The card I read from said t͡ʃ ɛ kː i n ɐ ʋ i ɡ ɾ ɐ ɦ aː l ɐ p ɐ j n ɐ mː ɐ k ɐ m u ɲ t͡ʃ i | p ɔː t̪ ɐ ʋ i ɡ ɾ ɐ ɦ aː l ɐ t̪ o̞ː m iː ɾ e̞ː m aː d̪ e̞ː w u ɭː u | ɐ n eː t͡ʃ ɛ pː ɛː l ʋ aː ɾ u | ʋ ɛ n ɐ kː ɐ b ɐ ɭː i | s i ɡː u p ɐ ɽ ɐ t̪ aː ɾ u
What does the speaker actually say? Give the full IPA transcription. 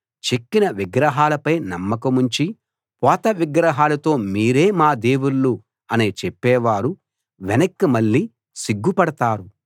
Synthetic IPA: t͡ʃ e kː i n ɐ ʋ i ɡ ɾ ɐ ɦ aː l ɐ p ɐ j n ɐ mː ɐ k ɐ m u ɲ t͡ʃ i | p ɔː t̪ ɐ ʋ i ɡ ɾ ɐ ɦ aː l ɐ t̪ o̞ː m iː ɾ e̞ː m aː d̪ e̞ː w u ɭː u | ɐ n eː t͡ʃ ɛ pː ɛː ʋ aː ɾ u | ʋ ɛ n ɐ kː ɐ m ɐ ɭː i | s i ɡː u p ɐ ɽ ɐ t̪ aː ɾ u